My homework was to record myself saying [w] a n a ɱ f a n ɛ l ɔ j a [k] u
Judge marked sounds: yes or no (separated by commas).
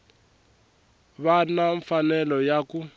no, yes